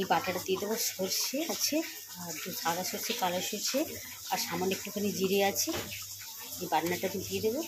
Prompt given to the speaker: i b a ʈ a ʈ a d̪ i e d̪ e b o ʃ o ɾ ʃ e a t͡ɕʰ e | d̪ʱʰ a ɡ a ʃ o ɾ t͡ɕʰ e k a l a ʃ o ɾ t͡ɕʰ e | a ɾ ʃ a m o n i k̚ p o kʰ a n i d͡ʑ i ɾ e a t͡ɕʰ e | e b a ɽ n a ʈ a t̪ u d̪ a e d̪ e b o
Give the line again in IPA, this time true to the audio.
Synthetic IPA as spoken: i b a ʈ a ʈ a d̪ i e d̪ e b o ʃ o ɾ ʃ e a t͡ɕʰ e | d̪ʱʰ a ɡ a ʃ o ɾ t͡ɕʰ e k a l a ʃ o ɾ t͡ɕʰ e | a ɾ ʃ a m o n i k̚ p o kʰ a n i d͡ʑ i ɾ e a t͡ɕʰ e | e b a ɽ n a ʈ a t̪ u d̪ i e d̪ e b o